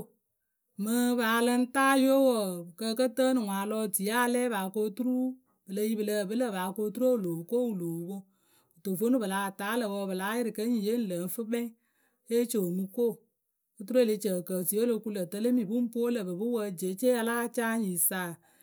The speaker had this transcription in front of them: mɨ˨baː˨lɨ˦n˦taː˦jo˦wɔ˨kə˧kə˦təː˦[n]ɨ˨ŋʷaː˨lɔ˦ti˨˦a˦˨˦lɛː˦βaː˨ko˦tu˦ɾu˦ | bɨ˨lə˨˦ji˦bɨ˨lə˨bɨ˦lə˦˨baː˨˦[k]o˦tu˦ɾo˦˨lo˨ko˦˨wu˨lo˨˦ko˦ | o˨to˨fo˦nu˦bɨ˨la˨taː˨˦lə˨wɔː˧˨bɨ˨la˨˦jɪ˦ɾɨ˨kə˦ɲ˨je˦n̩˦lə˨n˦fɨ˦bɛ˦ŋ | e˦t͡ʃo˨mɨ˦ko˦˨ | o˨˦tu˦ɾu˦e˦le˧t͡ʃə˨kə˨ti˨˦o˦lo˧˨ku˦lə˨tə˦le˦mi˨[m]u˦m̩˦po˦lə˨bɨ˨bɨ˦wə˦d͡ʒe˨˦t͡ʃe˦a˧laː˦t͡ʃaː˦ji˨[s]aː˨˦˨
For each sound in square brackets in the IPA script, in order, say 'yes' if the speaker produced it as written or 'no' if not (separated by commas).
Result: yes, yes, no, yes